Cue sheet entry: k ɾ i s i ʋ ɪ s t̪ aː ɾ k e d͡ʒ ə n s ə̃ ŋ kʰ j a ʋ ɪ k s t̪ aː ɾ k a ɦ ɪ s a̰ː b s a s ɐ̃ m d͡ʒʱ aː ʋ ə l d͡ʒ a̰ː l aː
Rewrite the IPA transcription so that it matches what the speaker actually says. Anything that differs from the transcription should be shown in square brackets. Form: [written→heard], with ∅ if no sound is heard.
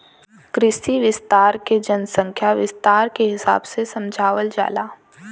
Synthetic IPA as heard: k ɾ [i→ɪ] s i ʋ ɪ s t̪ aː ɾ k e d͡ʒ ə n s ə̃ ŋ kʰ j a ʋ ɪ [k→∅] s t̪ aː ɾ k [a→e] ɦ ɪ s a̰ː b s [a→e] s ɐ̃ m d͡ʒʱ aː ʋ ə l d͡ʒ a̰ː l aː